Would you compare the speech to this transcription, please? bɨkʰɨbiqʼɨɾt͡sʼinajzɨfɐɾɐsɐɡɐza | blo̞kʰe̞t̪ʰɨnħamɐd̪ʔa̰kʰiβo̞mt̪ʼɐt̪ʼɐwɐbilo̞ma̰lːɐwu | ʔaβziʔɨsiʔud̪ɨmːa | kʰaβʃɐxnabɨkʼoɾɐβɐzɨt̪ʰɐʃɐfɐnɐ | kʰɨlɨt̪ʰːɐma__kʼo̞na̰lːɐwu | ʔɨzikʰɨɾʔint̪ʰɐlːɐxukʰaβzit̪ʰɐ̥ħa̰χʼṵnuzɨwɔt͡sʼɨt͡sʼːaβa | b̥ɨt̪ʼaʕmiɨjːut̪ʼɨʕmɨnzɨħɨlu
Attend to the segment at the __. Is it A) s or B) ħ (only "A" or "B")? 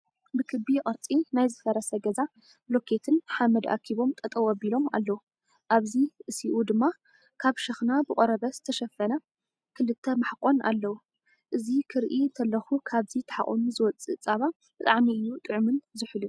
B